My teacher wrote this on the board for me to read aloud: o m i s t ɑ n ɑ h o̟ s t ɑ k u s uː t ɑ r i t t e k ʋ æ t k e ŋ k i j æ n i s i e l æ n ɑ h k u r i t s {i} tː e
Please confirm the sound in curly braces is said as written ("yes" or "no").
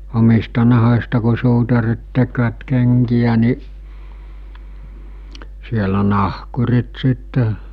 yes